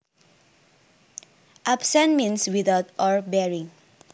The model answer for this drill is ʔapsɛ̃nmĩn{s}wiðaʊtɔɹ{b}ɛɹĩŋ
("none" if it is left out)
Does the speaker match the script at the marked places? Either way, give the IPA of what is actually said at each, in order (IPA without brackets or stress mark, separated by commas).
s, b